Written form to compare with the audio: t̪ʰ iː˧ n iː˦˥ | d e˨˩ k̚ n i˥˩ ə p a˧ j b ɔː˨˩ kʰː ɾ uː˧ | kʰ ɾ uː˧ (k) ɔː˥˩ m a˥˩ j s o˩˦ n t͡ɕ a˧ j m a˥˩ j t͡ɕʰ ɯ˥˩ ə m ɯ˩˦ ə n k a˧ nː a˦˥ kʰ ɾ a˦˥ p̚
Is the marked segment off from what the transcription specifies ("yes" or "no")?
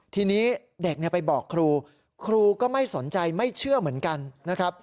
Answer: no